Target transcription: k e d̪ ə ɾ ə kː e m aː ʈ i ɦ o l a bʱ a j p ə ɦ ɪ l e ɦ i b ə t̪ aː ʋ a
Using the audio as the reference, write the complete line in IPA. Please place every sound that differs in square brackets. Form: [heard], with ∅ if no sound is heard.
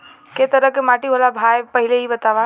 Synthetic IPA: k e [t̪] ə ɾ ə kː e m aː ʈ i ɦ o l a bʱ a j p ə ɦ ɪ l e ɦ i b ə t̪ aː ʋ a